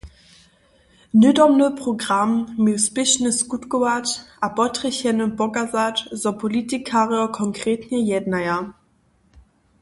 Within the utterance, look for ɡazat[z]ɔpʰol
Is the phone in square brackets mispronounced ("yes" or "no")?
no